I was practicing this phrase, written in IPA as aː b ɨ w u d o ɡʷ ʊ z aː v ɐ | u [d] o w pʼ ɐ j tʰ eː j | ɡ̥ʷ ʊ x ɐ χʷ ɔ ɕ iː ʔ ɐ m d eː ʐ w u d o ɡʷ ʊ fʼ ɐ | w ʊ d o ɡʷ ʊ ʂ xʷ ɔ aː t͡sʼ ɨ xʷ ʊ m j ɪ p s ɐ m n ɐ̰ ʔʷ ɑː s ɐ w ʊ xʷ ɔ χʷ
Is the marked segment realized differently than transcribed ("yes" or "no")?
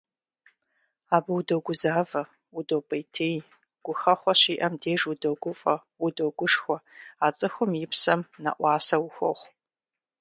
no